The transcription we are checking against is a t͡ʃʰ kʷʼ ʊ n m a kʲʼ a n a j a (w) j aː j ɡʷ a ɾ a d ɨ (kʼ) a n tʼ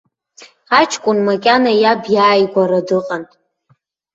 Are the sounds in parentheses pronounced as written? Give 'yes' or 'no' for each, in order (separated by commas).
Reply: no, no